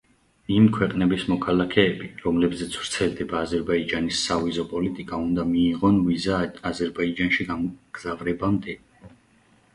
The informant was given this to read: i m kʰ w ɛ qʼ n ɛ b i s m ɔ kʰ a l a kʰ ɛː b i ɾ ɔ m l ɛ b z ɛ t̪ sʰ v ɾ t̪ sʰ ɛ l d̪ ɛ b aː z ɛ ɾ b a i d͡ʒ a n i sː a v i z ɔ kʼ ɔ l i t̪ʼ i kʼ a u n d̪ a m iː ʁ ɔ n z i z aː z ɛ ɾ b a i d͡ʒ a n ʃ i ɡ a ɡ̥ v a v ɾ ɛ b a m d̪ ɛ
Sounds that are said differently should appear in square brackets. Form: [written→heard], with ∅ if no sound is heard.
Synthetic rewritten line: i m kʰ w ɛ qʼ n ɛ b i s m ɔ kʰ a l a kʰ ɛː b i ɾ ɔ m l ɛ b z ɛ t̪ sʰ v ɾ t̪ sʰ ɛ l d̪ ɛ b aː z ɛ ɾ b a i d͡ʒ a n i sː a v i z ɔ [kʼ→pʼ] ɔ l i t̪ʼ i kʼ a u n d̪ a m iː ʁ ɔ n [z→v] i z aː z ɛ ɾ b a i d͡ʒ a n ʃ i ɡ a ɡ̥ [v→z] a v ɾ ɛ b a m d̪ ɛ